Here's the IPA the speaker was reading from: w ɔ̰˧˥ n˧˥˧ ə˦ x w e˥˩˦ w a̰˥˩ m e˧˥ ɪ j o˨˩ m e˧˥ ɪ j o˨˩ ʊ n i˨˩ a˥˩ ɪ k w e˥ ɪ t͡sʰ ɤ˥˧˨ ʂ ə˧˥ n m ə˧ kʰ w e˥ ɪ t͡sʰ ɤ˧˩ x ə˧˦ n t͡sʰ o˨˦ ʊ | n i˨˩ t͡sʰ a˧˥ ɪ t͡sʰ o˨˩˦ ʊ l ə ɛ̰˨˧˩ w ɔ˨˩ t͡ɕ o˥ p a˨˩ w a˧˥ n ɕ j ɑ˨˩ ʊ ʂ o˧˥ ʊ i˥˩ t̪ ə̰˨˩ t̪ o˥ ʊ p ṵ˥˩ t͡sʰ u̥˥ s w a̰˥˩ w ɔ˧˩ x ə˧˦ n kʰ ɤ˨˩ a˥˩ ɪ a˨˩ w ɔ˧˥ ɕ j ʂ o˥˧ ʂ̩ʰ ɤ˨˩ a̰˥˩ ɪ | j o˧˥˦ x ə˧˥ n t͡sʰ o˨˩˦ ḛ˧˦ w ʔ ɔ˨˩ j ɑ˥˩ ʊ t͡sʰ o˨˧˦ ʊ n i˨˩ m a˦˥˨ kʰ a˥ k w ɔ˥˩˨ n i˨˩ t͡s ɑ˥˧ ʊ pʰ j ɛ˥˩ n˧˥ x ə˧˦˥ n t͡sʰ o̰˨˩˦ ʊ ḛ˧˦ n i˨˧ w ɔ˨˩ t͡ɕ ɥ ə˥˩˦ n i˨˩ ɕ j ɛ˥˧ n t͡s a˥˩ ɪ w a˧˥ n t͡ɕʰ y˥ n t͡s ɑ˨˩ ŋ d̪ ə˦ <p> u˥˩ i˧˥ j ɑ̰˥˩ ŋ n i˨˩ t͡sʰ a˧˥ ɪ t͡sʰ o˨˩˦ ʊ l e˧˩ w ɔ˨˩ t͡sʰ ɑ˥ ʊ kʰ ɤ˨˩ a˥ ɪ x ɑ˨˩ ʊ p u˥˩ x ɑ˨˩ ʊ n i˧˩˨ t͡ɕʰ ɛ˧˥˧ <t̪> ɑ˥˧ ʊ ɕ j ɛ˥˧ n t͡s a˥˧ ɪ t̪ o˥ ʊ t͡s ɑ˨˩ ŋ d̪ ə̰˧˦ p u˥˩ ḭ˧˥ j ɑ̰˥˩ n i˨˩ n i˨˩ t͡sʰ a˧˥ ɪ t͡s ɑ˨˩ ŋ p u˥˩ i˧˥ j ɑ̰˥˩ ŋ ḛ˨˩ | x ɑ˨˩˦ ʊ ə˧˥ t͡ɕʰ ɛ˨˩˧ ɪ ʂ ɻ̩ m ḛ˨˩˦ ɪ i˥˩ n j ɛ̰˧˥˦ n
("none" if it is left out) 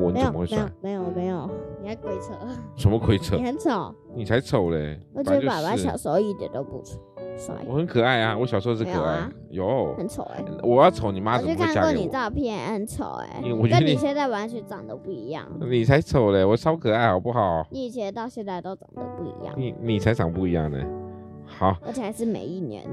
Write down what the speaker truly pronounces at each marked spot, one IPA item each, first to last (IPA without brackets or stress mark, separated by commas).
p, t̪